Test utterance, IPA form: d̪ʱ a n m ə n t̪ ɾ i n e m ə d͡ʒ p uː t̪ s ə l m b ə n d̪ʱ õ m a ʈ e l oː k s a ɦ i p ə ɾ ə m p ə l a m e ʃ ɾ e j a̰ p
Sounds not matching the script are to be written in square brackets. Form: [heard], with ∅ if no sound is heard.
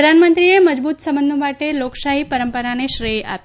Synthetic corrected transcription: d̪ʱ a n m ə n t̪ ɾ i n e m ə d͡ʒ [b] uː t̪ s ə [∅] m b ə n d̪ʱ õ m a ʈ e l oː k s a ɦ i p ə ɾ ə m p ə [ɾ] a [n] e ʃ ɾ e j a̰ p